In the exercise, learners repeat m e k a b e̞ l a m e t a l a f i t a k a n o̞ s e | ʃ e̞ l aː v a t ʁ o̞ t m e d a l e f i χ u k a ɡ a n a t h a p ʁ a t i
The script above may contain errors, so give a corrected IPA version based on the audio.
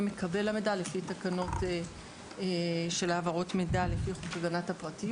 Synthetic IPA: m e k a b e̞ l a m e d a l e f i t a k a n o̞ t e | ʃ e̞ l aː v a ʁ o̞ t m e d a l e f i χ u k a ɡ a n a t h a p ʁ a t i